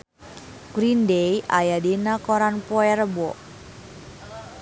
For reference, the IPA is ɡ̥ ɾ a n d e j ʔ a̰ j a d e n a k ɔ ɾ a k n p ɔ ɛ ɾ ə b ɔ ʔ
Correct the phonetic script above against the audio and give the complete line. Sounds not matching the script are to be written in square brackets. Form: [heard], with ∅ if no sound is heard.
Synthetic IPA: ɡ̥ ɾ [i] n d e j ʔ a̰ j a d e n a k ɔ ɾ a [∅] n p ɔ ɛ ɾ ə b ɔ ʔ